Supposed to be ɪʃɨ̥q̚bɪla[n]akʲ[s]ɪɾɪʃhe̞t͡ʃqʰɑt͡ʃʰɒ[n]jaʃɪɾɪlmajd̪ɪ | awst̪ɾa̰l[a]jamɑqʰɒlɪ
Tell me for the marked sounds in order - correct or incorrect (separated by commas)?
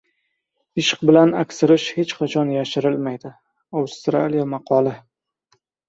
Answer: correct, correct, correct, incorrect